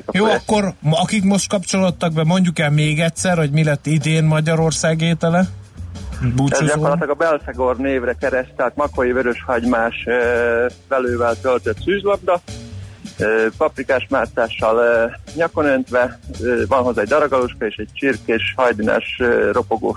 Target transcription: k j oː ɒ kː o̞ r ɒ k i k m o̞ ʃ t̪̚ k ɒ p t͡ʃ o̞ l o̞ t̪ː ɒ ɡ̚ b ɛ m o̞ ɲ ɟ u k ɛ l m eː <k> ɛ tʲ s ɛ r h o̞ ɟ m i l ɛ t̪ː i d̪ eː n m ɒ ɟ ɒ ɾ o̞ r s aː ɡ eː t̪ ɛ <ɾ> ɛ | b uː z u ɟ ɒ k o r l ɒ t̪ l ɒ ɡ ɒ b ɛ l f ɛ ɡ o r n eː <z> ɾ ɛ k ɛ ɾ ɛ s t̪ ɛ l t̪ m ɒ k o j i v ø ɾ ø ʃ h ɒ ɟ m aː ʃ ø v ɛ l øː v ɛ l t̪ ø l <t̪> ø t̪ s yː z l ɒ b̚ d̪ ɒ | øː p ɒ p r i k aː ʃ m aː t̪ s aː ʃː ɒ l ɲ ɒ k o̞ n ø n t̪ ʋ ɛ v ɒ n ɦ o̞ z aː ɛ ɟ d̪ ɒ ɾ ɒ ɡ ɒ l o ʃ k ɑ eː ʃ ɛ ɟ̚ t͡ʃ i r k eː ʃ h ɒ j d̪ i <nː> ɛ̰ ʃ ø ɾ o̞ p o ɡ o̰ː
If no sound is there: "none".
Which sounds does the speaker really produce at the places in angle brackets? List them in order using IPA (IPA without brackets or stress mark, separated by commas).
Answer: ɡ, l, v, t̪, n